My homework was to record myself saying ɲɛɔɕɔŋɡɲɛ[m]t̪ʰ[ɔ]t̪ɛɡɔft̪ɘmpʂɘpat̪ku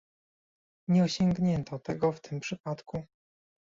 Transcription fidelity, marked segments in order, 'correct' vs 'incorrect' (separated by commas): incorrect, correct